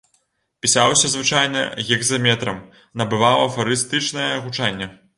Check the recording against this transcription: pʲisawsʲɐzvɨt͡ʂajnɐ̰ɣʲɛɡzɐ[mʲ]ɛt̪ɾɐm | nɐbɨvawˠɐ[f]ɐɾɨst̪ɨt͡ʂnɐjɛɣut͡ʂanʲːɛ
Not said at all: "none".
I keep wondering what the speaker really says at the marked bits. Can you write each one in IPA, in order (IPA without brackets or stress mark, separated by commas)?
mʲ, f